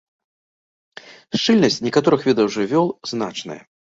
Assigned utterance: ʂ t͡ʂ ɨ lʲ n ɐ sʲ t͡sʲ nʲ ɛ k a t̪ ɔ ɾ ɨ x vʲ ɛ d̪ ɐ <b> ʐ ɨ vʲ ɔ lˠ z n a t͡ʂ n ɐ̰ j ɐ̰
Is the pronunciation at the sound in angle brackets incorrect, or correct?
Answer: incorrect